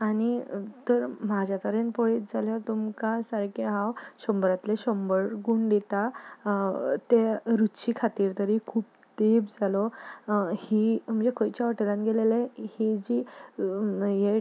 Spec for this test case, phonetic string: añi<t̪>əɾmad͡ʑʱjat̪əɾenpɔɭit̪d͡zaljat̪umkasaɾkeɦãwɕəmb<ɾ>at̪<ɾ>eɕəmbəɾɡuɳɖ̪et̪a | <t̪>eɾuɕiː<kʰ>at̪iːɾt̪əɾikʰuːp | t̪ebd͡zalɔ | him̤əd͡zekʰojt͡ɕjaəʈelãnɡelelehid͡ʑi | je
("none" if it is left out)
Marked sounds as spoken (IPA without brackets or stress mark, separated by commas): t̪, ɾ, l, t̪, kʰ